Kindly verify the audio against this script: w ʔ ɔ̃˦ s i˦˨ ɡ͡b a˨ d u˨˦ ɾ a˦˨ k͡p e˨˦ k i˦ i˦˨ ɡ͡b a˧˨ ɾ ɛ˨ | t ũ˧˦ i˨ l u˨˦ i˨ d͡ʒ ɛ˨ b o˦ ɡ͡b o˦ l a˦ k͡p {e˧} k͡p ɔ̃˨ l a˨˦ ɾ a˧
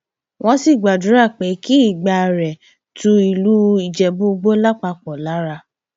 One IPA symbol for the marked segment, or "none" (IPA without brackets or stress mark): a˧